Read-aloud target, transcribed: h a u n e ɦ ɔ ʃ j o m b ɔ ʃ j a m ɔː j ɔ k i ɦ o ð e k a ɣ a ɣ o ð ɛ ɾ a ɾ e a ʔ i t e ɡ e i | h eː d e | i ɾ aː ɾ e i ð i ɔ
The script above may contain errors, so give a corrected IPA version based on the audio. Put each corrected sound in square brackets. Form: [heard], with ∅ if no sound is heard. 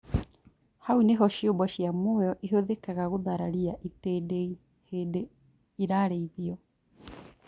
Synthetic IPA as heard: h a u n e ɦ ɔ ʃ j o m b ɔ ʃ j a m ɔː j ɔ [ʔ] i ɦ o ð e k a ɣ a ɣ o ð [a] ɾ a ɾ [i] a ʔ i t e [d] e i | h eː d e | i ɾ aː ɾ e i ð i ɔ

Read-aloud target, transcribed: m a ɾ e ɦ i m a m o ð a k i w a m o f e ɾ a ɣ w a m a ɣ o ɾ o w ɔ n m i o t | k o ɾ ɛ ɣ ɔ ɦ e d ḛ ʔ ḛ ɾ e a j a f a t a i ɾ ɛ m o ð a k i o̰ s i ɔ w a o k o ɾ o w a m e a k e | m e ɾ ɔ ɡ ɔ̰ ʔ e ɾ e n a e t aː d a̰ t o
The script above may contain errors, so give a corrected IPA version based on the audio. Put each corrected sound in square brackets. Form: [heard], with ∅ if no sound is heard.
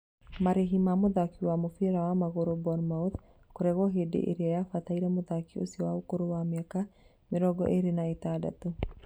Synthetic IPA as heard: m a ɾ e ɦ i m a m o ð a k i w a m o f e ɾ a [∅] w a m a ɣ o ɾ o [b] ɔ n m [a] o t | k o ɾ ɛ ɣ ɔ ɦ e d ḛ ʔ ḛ ɾ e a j a f a t a i ɾ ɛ m o ð a k i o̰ s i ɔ w a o k o ɾ o w a m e a k [a] | m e ɾ ɔ ɡ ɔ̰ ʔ e ɾ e n a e t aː d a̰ t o

